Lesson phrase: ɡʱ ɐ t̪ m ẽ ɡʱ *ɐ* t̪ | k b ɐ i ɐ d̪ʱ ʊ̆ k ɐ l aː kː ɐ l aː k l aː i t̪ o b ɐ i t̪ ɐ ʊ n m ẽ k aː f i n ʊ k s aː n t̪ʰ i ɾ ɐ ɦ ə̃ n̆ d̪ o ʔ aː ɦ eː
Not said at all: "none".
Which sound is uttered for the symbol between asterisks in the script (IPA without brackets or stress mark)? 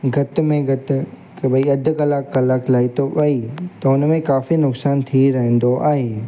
ɐ